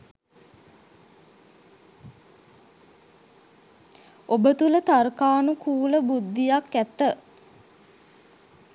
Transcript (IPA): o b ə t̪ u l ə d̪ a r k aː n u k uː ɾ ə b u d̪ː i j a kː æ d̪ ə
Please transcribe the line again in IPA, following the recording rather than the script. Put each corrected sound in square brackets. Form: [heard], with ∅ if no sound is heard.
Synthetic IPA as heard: o b ə t̪ u l ə [t̪] a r k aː n u k uː [l] ə b u d̪ː i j a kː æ [t̪] ə

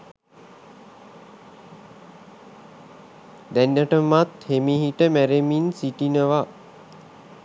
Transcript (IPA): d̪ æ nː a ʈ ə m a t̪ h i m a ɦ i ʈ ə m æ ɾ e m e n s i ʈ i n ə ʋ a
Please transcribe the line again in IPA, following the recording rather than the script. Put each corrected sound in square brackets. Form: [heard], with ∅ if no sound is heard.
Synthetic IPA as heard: d̪ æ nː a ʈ ə m a t̪ h [e] m [i] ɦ i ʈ ə m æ ɾ e m [i] n s i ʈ i n ə ʋ a

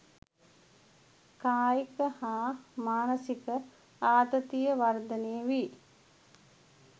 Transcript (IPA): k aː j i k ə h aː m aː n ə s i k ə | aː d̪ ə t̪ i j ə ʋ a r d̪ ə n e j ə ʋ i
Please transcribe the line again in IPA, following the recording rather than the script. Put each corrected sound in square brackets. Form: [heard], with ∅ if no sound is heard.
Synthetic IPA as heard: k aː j i k ə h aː m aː n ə s i k ə | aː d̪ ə t̪ i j ə ʋ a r d̪ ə n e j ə ʋ i

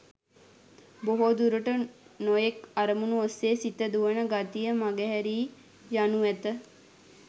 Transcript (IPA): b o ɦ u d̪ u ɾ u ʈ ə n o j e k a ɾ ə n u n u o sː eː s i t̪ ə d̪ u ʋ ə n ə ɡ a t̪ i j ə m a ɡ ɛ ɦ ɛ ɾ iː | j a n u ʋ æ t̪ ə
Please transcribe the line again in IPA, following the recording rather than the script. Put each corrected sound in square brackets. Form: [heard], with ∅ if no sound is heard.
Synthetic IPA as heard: b o ɦ [o] d̪ u ɾ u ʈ ə n o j e k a ɾ ə [m] u n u o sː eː s i t̪ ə d̪ u ʋ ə n ə ɡ a t̪ i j ə m a ɡ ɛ ɦ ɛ ɾ iː | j a n u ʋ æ t̪ ə

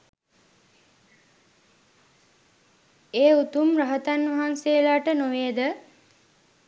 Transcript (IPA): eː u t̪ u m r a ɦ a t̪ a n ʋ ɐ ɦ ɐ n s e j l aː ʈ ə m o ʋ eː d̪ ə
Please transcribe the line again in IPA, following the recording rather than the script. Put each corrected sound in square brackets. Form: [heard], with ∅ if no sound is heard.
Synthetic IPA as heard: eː u t̪ u m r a ɦ [ə] t̪ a n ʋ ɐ ɦ [a] n s e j l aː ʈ ə [n] o ʋ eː d̪ ə

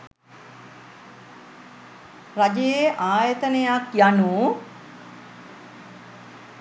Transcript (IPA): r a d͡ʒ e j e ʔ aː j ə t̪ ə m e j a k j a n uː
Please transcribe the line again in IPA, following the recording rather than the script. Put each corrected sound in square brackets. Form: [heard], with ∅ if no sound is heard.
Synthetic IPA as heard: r a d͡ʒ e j e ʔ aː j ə t̪ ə [n] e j a k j a n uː

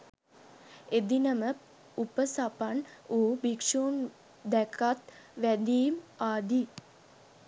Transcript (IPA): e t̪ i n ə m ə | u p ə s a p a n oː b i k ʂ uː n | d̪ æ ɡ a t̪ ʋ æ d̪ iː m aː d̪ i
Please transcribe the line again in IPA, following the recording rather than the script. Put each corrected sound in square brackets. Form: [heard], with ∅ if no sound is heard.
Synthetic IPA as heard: e [d̪] i n ə m ə | u p ə s a p a n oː b i k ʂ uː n | d̪ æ [k] a t̪ ʋ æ d̪ iː m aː d̪ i

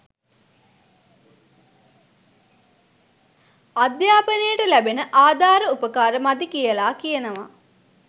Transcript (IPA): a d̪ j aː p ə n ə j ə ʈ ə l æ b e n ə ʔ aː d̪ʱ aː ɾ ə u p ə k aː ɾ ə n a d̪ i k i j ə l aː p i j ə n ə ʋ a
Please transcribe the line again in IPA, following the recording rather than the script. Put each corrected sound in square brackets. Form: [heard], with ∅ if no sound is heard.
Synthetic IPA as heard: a d̪ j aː p ə n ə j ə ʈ ə l æ b e n ə ʔ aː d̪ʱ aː ɾ ə u p ə k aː ɾ ə [m] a d̪ i k i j ə l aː [k] i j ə n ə ʋ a

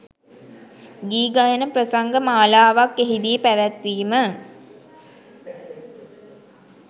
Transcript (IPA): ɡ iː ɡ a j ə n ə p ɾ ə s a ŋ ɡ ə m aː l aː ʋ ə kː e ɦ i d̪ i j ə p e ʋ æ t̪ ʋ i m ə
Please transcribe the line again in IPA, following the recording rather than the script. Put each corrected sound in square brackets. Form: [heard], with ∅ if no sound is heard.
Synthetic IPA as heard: ɡ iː ɡ a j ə n ə p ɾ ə s a ŋ ɡ ə m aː l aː ʋ [a] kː e ɦ i d̪ i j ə p [æ] ʋ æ t̪ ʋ [iː] m ə

